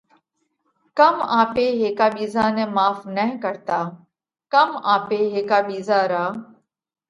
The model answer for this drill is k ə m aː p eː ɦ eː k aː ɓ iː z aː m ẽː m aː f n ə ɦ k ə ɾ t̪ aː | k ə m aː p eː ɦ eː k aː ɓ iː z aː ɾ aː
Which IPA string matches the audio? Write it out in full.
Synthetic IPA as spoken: k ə m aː p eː ɦ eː k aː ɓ iː z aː n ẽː m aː f n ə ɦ k ə ɾ t̪ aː | k ə m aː p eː ɦ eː k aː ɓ iː z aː ɾ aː